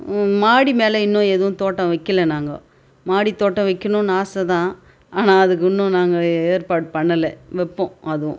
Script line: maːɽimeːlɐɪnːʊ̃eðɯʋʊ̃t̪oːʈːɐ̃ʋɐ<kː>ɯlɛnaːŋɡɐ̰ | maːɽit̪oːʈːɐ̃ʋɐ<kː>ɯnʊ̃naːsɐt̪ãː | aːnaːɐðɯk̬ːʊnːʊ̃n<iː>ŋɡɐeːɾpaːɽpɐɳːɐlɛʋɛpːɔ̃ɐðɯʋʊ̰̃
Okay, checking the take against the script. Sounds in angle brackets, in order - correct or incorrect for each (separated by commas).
correct, correct, incorrect